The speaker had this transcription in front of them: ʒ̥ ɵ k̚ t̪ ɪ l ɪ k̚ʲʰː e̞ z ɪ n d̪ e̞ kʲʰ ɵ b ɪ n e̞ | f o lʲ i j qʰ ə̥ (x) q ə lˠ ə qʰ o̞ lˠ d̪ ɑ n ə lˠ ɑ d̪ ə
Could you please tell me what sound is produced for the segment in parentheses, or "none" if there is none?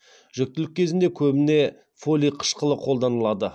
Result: ʃ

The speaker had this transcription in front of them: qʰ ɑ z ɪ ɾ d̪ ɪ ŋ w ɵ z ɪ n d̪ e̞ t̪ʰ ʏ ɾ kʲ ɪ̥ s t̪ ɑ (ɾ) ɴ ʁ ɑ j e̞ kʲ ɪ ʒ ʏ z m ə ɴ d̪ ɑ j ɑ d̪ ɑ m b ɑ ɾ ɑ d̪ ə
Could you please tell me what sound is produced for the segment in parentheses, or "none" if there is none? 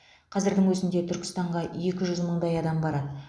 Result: none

